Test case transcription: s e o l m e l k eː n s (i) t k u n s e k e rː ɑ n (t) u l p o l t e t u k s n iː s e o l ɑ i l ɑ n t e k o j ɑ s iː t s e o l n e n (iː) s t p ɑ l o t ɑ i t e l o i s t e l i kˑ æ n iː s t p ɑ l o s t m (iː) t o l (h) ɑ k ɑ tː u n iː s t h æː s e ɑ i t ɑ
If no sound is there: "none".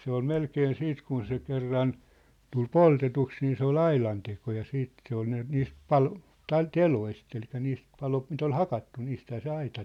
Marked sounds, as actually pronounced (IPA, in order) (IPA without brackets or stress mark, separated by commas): iː, t, iː, i, h